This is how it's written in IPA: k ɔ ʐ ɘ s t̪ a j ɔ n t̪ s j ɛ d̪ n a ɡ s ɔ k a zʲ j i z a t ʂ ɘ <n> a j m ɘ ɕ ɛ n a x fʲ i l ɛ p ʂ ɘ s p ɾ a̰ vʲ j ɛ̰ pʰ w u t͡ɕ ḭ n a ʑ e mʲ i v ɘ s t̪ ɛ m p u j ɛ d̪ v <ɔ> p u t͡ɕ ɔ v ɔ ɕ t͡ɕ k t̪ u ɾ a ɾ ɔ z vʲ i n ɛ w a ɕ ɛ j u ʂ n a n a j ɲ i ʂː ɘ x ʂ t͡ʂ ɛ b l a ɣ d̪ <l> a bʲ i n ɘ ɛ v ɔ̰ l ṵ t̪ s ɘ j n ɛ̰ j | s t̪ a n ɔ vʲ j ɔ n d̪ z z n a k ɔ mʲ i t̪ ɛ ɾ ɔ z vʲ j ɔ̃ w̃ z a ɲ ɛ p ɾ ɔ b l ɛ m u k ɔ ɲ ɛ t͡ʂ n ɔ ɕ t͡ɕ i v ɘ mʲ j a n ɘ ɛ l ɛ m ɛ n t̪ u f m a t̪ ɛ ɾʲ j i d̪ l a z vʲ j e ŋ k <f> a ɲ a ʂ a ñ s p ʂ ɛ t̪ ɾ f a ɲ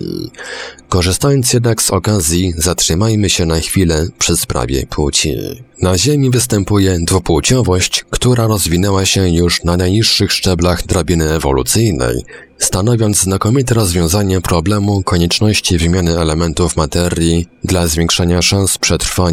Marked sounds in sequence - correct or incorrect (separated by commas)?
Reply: incorrect, incorrect, incorrect, incorrect